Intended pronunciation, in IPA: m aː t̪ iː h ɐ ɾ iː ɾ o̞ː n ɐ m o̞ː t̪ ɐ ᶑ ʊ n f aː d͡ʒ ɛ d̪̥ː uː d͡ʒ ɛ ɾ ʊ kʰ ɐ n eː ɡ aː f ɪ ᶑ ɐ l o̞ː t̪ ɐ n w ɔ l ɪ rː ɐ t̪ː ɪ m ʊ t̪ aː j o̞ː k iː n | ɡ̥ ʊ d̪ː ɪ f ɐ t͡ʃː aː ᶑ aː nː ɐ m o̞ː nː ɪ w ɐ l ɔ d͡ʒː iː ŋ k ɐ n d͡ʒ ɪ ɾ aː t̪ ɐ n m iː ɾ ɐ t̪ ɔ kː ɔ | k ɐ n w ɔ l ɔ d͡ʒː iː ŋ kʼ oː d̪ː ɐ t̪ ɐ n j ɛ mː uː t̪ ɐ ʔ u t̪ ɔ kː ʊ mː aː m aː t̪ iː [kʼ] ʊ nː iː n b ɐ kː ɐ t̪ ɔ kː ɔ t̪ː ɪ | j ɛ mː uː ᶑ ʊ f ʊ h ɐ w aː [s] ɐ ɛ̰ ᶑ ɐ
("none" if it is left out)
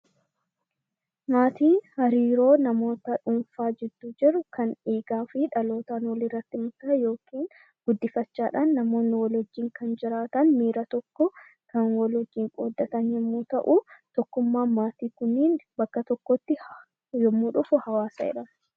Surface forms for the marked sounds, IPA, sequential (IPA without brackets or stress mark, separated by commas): k, s